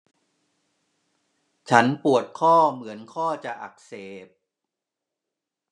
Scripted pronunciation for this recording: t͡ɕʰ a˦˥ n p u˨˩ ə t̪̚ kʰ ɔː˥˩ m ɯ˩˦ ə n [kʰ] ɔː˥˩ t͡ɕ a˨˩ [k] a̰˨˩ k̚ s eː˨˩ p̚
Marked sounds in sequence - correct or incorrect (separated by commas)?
correct, incorrect